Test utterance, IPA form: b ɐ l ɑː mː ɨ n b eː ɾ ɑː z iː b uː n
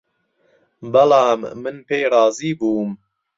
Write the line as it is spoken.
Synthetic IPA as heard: b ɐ l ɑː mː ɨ n p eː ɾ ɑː z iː b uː m